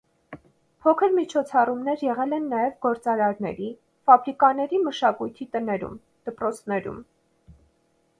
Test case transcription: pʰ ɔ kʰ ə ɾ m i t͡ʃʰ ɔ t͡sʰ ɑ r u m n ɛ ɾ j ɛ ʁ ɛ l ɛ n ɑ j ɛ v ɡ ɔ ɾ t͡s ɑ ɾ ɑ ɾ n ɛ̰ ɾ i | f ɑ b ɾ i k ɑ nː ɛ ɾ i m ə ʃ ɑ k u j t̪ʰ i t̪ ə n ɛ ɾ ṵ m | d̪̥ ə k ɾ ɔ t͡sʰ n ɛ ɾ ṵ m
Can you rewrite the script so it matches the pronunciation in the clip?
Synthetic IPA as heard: pʰ ɔ kʰ ə ɾ m i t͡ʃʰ ɔ t͡sʰ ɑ r u m n ɛ ɾ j ɛ ʁ ɛ l ɛ nː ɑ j ɛ v ɡ ɔ ɾ t͡s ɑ ɾ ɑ ɾ n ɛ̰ ɾ i | f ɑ b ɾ i k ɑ n ɛ ɾ i m ə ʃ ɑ k u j t̪ʰ i t̪ ə n ɛ ɾ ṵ m | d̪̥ ə p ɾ ɔ t͡sʰ n ɛ ɾ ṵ m